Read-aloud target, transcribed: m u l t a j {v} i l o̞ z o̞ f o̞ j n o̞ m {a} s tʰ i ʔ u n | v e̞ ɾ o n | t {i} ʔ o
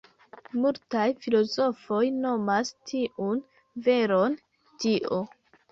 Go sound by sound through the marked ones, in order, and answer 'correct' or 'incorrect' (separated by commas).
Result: incorrect, correct, correct